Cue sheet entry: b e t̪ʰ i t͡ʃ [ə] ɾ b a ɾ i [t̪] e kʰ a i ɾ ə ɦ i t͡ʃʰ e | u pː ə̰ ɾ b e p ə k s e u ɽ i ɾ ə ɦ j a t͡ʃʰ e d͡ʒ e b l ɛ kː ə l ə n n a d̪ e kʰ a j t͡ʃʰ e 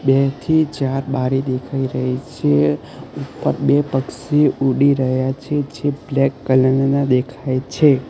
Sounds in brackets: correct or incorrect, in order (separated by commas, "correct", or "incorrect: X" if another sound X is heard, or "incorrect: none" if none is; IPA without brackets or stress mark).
incorrect: a, incorrect: d̪